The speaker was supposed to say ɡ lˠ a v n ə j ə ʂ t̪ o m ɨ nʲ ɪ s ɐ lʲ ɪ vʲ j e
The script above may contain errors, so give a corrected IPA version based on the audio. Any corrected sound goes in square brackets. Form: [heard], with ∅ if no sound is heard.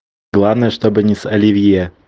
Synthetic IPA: ɡ lˠ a v n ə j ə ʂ t̪ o [b] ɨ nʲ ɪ s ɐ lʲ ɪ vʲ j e